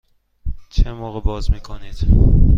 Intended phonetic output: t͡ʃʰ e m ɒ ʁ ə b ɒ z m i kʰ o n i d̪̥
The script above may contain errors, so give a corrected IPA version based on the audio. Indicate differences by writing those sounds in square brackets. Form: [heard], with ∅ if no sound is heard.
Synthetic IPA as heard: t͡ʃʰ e m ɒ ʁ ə b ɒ z m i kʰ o n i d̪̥